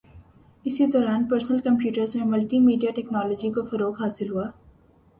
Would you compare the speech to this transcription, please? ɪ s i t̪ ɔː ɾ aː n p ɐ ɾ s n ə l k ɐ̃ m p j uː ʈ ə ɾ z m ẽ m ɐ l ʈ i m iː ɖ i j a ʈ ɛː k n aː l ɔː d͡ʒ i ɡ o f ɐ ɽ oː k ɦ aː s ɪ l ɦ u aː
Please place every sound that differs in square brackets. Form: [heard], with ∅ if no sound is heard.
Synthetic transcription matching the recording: ɪ s i [d̪] ɔː ɾ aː n p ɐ ɾ s n ə l k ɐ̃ m p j uː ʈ ə ɾ z m ẽ m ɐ l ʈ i m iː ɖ i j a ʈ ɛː k n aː l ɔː d͡ʒ i [k] o f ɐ [ɾ] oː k ɦ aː s ɪ l ɦ u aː